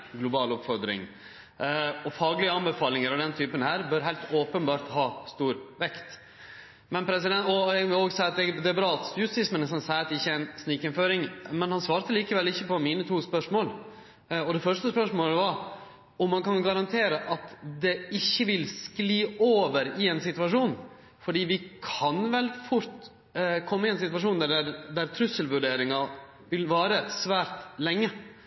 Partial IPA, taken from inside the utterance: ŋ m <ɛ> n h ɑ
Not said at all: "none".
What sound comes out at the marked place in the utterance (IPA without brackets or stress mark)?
ɛ